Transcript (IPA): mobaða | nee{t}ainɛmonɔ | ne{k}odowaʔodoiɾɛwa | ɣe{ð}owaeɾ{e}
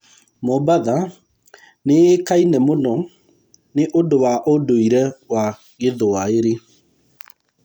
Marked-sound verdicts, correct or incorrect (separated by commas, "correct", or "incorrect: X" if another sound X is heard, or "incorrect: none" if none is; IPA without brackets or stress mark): incorrect: k, incorrect: ʔ, correct, correct